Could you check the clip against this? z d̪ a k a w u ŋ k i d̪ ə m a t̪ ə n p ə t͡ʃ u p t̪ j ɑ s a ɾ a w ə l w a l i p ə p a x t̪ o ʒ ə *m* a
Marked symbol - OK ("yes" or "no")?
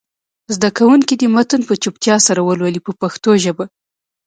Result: no